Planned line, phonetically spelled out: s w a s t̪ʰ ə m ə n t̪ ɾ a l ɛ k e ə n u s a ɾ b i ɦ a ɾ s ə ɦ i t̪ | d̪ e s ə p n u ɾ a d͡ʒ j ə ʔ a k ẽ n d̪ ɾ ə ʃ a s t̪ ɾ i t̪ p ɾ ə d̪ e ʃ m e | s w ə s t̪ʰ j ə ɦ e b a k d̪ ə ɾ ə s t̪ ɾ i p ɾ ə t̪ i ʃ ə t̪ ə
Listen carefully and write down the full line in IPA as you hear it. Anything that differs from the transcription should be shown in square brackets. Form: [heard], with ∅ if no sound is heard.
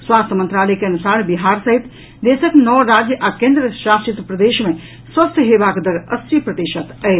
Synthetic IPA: s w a s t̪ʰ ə m ə n t̪ ɾ a l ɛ k e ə n u s a ɾ b i ɦ a ɾ s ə ɦ i t̪ | d̪ e s ə [k] n [ɔ] ɾ a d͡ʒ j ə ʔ a k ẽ n d̪ ɾ ə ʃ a s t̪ ɾ i t̪ p ɾ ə d̪ e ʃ m e | s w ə s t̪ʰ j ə ɦ e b a k d̪ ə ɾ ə s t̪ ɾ i p ɾ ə t̪ i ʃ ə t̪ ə

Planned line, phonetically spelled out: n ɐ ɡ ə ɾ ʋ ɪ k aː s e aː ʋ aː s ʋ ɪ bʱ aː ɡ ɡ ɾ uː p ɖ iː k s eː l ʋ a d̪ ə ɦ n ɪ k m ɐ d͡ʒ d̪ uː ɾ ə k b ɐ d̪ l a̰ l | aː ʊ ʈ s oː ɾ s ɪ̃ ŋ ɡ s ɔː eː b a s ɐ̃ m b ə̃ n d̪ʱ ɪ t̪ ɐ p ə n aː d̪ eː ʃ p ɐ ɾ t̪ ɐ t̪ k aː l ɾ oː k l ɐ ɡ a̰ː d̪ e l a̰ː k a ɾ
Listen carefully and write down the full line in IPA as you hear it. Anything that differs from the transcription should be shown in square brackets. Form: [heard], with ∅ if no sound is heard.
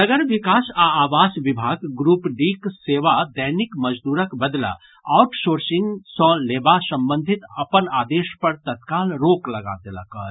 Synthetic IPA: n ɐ ɡ ə ɾ ʋ ɪ k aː s [a] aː ʋ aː s ʋ ɪ bʱ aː ɡ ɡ ɾ uː p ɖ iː k s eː [∅] ʋ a d̪ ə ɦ n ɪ k m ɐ d͡ʒ d̪ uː ɾ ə k b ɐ d̪ l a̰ [∅] | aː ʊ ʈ s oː ɾ s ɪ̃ ŋ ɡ s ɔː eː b a s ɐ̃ m b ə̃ n d̪ʱ ɪ t̪ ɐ p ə n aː d̪ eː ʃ p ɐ ɾ t̪ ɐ t̪ k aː l ɾ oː k l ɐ ɡ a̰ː d̪ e l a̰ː k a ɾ

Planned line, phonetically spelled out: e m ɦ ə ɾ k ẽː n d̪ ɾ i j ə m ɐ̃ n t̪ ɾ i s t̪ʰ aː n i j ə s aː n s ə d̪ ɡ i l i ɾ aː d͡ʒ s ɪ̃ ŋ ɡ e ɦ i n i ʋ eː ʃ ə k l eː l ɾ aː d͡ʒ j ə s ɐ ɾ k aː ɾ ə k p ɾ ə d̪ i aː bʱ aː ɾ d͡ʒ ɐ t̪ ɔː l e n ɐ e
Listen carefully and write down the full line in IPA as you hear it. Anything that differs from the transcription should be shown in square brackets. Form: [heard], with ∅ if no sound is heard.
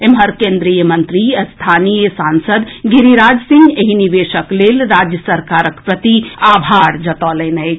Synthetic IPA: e m ɦ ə ɾ k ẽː n d̪ ɾ i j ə m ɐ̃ n t̪ ɾ i s t̪ʰ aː n i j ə s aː n s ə d̪ ɡ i [ɾ] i ɾ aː d͡ʒ s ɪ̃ ŋ ɡ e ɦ i n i ʋ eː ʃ ə k l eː l ɾ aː d͡ʒ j ə s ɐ ɾ k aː ɾ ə k p ɾ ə [t̪] i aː bʱ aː ɾ d͡ʒ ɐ t̪ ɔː l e n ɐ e

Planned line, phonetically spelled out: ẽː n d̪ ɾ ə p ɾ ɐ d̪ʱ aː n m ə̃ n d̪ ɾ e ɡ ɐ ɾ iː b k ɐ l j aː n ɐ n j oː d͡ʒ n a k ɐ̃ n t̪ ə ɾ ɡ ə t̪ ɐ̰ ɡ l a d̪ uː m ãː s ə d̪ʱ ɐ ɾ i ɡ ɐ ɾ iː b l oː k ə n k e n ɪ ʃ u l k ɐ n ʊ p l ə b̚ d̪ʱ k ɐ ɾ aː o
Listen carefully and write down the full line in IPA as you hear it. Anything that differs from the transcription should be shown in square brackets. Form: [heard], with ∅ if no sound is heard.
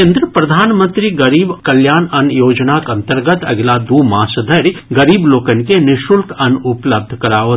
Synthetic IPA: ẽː n d̪ ɾ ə p ɾ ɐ d̪ʱ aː n m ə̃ n [t̪] ɾ [i] ɡ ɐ ɾ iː b k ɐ l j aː n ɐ n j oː d͡ʒ n a k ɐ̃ n t̪ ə ɾ ɡ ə t̪ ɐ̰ ɡ l a d̪ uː m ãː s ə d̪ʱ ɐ ɾ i ɡ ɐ ɾ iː b l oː k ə n k e n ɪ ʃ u l k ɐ n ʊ p l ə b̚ d̪ʱ k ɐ ɾ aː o

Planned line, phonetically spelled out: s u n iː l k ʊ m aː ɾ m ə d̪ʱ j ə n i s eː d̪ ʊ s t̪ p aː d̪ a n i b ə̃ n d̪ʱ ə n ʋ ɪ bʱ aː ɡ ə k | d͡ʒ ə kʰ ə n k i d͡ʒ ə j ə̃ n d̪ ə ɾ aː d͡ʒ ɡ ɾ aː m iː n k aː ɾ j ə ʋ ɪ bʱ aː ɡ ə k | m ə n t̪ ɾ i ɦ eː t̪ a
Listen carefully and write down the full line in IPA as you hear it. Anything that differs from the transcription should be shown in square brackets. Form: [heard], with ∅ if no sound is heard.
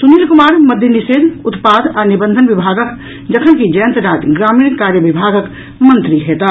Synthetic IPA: s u n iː l k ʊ m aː ɾ m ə d̪ʱ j ə n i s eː d̪ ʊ [∅] t̪ p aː d̪ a n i b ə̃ n d̪ʱ ə n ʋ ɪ bʱ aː ɡ ə k | d͡ʒ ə kʰ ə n k i d͡ʒ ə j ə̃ n [t̪] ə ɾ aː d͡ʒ ɡ ɾ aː m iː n k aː ɾ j ə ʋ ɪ bʱ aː ɡ ə k | m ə n t̪ ɾ i ɦ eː t̪ a

